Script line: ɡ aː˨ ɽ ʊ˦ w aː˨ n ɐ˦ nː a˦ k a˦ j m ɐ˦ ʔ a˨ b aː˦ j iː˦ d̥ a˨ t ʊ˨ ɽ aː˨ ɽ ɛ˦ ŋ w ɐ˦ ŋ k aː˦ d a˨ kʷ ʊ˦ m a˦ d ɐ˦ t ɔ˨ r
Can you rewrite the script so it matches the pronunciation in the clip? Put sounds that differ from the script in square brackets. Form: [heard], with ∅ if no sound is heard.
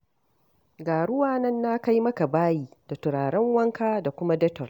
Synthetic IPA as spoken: ɡ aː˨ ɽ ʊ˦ w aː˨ n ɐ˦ nː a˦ k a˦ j m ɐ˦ [k] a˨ b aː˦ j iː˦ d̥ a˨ t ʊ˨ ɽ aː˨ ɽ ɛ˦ ŋ w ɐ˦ ŋ k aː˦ d a˨ kʷ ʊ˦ m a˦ d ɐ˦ t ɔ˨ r